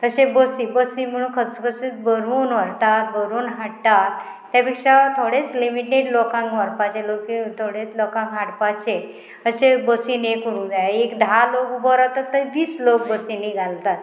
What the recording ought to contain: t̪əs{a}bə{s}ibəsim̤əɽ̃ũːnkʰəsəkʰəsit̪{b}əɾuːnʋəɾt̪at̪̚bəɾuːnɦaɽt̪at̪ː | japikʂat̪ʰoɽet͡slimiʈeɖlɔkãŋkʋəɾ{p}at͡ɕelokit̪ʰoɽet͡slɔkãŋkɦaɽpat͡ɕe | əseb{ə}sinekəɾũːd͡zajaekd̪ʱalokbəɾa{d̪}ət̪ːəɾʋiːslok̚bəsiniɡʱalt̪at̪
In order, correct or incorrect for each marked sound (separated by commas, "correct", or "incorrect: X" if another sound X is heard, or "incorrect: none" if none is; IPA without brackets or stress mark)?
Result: incorrect: e, correct, correct, correct, correct, incorrect: t̪